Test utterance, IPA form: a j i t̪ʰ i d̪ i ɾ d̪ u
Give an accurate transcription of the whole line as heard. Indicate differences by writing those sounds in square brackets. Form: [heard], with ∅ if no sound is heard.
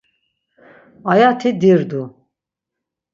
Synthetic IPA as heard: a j [a] t̪ʰ i d̪ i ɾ d̪ u

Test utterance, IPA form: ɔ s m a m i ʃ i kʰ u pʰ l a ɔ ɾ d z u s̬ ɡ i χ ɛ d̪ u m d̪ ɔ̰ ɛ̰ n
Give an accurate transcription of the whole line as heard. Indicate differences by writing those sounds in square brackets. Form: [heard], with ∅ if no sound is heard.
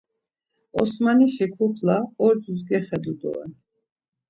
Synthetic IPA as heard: ɔ s m a [n] i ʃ i kʰ u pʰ l a ɔ ɾ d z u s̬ ɡ [ɛ] χ ɛ d̪ u [∅] d̪ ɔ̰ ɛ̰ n

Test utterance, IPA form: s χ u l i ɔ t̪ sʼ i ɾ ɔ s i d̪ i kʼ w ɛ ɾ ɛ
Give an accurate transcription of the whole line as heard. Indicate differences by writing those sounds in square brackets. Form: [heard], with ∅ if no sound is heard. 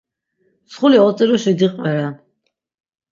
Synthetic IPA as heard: s χ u l i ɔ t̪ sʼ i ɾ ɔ [ʃ] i d̪ i [qʼ] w ɛ ɾ [a]

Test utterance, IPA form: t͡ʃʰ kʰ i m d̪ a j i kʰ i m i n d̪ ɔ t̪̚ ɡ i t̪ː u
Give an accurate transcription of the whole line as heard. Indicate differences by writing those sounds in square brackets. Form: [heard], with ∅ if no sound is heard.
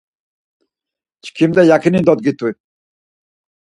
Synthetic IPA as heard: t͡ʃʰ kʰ i m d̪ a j [a] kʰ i [n] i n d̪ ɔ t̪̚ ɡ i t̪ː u

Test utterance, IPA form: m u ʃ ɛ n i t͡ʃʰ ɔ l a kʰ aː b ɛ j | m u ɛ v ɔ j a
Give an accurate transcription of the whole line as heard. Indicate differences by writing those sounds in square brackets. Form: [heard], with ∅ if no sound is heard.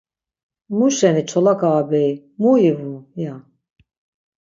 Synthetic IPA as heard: m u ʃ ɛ n i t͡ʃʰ ɔ l a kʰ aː b ɛ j | m u [i] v [u] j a

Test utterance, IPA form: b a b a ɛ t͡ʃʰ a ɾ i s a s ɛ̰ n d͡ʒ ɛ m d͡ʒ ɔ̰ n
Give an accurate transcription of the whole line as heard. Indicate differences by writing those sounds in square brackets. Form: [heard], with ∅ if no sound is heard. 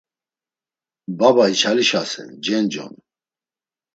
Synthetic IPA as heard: b a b a [i] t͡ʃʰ a [l] i [ʃ] a s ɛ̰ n d͡ʒ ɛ [n] d͡ʒ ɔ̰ n

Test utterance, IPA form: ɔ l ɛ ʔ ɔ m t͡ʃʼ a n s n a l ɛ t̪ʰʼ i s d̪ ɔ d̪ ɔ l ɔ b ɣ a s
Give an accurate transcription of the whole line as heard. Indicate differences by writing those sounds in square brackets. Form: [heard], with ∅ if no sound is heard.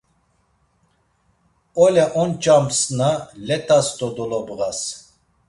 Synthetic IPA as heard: ɔ l ɛ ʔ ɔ [n] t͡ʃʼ a [m] s n a l ɛ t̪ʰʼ [a] s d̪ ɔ d̪ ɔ l ɔ b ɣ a s

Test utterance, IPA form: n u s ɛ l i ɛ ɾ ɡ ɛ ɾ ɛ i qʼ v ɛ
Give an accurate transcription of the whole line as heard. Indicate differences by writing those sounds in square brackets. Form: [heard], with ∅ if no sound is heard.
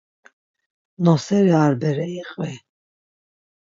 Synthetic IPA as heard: n [ɔ] s ɛ [ɾ] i [a] ɾ [b] ɛ ɾ ɛ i qʼ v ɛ

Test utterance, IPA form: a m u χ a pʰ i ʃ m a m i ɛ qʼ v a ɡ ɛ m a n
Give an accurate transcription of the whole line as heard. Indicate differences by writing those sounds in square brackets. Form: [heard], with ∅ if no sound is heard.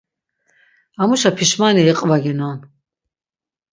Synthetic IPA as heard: a m u [ʃ] a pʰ i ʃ m a [n] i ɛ qʼ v a ɡ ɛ [n] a n

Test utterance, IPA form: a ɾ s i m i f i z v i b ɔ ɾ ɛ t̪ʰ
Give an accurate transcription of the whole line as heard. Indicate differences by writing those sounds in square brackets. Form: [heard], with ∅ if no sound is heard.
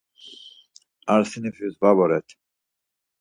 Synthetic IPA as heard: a ɾ s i [n] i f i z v [a] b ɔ ɾ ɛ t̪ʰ

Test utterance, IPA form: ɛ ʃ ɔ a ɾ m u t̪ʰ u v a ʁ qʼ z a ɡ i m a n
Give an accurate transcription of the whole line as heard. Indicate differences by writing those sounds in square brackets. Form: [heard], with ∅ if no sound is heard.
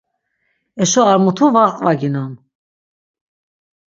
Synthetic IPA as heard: ɛ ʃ ɔ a ɾ m u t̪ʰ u v a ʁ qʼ [v] a ɡ i [n] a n

